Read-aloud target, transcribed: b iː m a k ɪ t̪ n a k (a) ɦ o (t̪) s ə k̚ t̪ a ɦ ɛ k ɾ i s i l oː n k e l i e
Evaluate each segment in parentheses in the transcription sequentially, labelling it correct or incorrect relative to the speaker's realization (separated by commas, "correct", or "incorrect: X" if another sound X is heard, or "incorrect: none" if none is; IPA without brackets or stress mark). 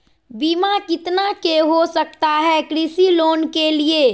incorrect: e, incorrect: none